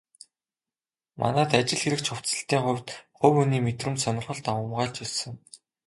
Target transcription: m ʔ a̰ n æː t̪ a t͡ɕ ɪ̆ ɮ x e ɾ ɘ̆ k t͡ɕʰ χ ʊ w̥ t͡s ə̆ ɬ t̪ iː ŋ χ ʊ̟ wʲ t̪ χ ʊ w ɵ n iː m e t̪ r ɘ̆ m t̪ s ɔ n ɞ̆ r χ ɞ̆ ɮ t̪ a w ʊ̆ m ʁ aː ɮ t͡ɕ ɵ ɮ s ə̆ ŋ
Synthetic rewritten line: m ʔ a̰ n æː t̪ a t͡ɕ ɪ̆ ɮ x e ɾ ɘ̆ k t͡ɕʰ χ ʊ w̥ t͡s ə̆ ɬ t̪ iː ŋ χ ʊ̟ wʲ t̪ χ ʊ w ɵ n iː m e t̪ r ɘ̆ m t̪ s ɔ n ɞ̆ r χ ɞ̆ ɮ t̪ a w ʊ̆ m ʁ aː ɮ t͡ɕ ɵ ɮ s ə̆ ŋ

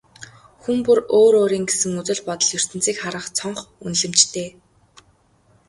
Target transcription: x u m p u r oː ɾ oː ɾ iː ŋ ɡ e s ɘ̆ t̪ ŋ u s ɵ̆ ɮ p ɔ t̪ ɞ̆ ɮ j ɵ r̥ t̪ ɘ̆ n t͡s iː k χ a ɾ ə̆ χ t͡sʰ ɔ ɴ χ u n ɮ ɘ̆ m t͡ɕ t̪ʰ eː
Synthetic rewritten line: x u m p u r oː ɾ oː ɾ iː ŋ ɡ e s ɘ̆ ŋ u t͡s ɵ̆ ɮ p ɔ t̪ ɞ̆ ɮ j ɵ r̥ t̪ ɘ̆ n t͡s iː k χ a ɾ ə̆ χ t͡sʰ ɔ ɴ χ u n ɮ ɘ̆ m t͡ɕ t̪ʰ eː

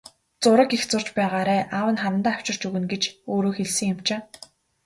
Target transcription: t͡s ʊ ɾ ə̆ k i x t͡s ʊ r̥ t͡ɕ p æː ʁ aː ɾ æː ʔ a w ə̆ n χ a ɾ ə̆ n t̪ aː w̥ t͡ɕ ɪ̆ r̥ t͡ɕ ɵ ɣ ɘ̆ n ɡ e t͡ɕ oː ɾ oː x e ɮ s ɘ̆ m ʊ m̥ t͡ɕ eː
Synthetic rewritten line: t͡s ʊ ɾ ə̆ k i x t͡s ʊ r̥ t͡ɕ p æː ʁ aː ɾ æː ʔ a w ə̆ n χ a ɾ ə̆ n t̪ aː w̥ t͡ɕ ɪ̆ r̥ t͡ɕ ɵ ɣ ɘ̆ n ɡ e t͡ɕ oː ɾ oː x e ɮ s ɘ̆ ŋ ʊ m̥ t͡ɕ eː

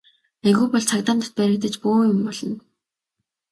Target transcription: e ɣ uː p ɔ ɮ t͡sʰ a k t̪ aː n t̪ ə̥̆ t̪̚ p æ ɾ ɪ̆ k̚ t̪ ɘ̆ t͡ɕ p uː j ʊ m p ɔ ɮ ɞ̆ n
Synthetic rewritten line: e ɣ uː p ɔ ɮ t͡sʰ a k t̪ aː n t̪ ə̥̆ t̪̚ p æ ɾ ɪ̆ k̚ t̪ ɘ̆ t͡ɕ p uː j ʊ m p ɔ ɮ ɞ̆ n

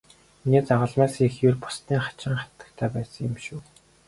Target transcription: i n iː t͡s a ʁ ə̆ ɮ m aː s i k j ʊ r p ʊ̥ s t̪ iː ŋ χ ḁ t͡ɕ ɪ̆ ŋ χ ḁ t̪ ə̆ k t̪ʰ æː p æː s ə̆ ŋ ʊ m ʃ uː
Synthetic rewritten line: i n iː t͡s a ʁ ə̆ ɮ m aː s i x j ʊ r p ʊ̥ s t̪ iː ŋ χ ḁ t͡ɕ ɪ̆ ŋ χ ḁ t̪ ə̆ k t̪ʰ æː p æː s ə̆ ŋ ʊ m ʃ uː

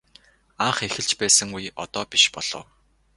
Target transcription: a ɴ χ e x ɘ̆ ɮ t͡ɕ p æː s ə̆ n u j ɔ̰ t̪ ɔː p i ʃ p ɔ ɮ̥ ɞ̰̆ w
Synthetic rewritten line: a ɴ χ e x ɘ̆ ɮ t͡ɕ p æː s ə̆ ŋ u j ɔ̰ t̪ ɔː p i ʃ p ɔ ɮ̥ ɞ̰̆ w

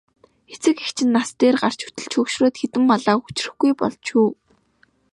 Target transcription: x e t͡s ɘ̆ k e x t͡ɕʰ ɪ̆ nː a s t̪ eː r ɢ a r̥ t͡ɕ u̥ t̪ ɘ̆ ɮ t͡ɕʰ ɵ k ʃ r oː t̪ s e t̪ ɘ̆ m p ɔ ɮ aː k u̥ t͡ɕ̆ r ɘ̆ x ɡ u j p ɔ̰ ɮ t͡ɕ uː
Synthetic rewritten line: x e t͡s ɘ̆ k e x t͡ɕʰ ɪ̆ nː a s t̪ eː r ɢ a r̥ t͡ɕ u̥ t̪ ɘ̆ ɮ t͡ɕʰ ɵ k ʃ r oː t̪ x e t̪ ɘ̆ m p ɔ ɮ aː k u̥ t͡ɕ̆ r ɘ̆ x ɡ u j p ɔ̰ ɮ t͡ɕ uː

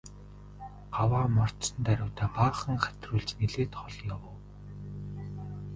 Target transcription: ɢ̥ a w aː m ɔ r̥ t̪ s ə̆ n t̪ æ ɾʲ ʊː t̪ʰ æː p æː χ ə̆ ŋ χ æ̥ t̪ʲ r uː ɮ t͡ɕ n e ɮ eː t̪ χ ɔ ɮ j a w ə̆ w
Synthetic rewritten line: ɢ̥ a w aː m ɔ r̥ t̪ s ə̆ n t̪ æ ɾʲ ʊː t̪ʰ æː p aː χ ə̆ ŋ χ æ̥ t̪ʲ r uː ɮ t͡ɕ n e ɮ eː t̪ χ ɔ ɮ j a w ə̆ w

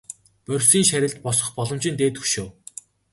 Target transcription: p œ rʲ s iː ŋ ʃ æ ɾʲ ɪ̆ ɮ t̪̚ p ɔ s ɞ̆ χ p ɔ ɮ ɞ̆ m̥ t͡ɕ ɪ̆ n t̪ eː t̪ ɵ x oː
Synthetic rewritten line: p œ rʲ s iː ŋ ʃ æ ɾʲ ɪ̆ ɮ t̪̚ p ɔ s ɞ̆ χ p ɔ ɮ ɞ̆ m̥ t͡ɕ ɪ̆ n t̪ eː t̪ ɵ ʃ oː

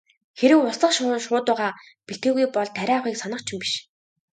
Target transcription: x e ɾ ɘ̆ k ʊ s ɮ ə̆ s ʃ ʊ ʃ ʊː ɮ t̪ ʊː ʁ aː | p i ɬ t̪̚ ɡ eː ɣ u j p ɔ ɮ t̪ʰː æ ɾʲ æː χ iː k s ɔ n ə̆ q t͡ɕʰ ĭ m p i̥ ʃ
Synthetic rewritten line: x e ɾ ɘ̆ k ʊ s ɮ ə̆ χ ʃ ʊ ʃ ʊː t̪ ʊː ʁ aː | p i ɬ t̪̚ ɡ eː ɣ u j p ɔ ɮ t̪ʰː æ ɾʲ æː χ iː k s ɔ n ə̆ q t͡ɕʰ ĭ m p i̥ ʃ

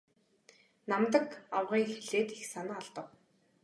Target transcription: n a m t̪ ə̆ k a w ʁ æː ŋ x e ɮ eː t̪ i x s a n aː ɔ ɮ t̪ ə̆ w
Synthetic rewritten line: n a m t̪ ə̆ k a w ʁ iː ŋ x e ɮ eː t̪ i x s a n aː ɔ ɮ t̪ ə̆ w

